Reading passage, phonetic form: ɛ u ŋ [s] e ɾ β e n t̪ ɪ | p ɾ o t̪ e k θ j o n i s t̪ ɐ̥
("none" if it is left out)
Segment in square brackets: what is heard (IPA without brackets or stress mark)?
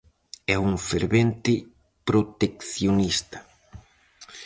f